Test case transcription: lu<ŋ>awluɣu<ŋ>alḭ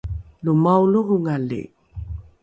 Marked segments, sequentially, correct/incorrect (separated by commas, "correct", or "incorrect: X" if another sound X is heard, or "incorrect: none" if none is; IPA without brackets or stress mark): incorrect: m, correct